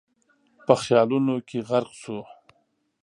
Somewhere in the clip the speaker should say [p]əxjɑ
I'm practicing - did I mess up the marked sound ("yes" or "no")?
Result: no